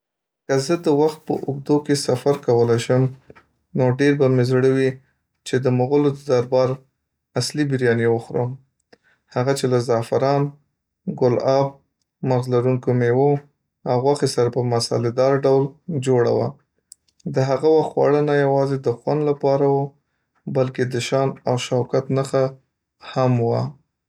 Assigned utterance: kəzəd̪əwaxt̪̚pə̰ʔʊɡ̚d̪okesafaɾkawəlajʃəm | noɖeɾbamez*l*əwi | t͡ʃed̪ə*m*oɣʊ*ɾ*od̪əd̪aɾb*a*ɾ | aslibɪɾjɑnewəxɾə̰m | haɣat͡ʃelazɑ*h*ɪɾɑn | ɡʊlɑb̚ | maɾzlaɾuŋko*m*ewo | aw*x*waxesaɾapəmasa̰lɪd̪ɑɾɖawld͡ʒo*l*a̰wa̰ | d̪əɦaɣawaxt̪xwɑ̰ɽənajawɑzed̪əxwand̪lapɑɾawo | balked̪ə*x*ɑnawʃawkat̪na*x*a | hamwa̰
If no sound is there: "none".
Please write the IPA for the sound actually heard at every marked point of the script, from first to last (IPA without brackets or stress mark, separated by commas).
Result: ɽ, m, l, ɑ, f, m, ɣ, ɽ, ʃ, x